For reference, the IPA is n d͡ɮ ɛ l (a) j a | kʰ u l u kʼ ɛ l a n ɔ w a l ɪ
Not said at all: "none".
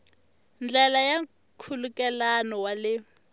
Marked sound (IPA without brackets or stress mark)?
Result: a